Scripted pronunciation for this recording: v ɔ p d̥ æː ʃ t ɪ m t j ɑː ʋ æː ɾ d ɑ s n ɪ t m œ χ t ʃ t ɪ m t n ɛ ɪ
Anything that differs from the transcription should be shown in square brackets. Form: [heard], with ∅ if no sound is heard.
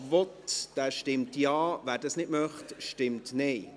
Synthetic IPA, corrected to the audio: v ɔ [t] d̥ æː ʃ t ɪ m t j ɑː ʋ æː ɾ d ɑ s n ɪ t m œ χ t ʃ t ɪ m t n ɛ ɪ